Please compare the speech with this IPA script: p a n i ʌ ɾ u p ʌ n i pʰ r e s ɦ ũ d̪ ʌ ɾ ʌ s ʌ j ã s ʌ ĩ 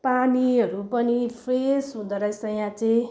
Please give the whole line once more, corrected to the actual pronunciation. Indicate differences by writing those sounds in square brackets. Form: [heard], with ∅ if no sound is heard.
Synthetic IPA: p a n i ʌ ɾ u p ʌ n i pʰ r e s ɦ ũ d̪ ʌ ɾ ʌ s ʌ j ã [t͡s] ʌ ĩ